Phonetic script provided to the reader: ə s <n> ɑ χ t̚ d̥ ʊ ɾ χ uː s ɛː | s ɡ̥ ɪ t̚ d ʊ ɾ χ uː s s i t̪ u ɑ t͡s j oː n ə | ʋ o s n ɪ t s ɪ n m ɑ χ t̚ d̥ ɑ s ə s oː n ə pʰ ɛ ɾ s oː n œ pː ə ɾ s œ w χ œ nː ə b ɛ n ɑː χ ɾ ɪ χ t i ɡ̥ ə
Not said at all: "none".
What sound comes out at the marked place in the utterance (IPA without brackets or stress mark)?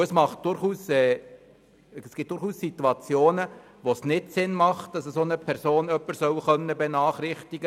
m